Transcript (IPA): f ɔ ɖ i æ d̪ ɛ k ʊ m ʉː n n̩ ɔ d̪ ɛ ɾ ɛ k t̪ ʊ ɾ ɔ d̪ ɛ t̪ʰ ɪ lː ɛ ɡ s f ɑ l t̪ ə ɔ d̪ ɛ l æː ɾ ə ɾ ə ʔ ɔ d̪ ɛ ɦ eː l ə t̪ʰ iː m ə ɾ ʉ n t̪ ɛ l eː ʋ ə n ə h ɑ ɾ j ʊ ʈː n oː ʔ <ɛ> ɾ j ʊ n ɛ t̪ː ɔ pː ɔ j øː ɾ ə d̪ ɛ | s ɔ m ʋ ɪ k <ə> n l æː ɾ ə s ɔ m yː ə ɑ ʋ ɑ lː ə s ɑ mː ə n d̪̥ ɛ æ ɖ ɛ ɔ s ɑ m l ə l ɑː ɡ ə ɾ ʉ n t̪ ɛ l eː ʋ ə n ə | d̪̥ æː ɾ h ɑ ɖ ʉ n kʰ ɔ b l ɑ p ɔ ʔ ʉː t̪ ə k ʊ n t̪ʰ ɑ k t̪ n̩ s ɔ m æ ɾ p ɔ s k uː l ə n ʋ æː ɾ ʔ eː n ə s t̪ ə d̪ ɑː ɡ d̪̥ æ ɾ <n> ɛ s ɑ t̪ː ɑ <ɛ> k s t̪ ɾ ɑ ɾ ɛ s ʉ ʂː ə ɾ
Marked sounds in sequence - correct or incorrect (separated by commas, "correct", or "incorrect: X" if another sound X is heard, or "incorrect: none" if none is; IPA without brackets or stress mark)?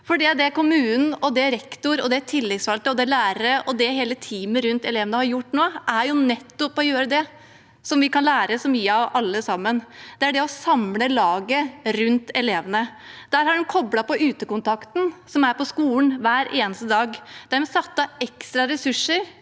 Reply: incorrect: æ, incorrect: ɑ, incorrect: m, correct